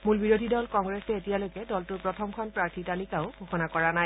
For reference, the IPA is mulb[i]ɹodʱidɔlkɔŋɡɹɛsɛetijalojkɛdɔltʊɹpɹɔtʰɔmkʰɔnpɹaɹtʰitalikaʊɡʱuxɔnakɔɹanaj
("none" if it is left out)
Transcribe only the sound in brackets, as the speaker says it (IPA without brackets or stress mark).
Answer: i